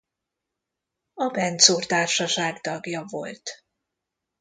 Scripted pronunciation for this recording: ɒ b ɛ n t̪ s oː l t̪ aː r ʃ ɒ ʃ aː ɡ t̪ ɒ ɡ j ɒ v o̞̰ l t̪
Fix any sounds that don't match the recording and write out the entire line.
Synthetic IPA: ɒ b ɛ n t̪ s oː r t̪ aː r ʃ ɒ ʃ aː ɡ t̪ ɒ ɡ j ɒ v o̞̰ l t̪